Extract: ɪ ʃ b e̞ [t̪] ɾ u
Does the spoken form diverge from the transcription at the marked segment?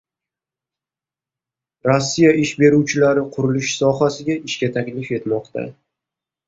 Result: yes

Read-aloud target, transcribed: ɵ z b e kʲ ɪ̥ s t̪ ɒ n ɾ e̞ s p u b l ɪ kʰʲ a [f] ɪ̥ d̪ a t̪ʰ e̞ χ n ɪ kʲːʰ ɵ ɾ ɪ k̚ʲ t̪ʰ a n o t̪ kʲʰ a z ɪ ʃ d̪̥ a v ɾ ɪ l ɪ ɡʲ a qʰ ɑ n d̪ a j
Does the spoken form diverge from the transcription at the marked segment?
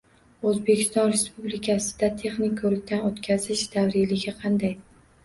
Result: yes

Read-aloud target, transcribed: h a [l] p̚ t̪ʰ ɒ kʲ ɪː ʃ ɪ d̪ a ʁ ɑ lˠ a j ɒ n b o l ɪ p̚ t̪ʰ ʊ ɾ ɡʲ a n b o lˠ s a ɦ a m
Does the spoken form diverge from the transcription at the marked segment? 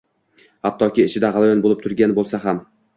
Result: yes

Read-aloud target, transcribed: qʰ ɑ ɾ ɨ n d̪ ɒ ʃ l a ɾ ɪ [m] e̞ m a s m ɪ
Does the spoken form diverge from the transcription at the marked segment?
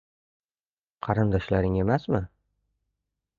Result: yes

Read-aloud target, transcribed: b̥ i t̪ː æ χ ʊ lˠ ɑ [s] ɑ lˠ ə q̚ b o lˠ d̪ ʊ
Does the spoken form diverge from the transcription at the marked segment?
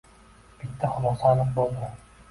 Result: no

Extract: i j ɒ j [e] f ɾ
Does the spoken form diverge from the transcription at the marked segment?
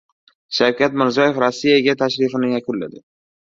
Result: no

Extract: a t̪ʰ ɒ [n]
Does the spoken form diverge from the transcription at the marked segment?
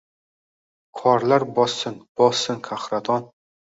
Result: no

